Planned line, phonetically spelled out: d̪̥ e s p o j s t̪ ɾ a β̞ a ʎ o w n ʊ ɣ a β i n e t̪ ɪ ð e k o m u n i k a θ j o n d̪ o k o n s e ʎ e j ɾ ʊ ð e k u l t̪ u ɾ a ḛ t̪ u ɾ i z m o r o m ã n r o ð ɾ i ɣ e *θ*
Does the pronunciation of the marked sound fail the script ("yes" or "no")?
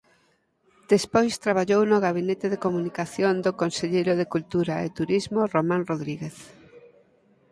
no